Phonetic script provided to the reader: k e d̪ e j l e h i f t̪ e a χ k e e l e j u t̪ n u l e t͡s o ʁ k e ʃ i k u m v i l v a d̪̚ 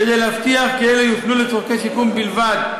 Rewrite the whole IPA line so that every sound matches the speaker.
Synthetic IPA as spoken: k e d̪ e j l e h a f t̪ i a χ k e e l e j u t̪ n u l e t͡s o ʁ k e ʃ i k u m b i l v a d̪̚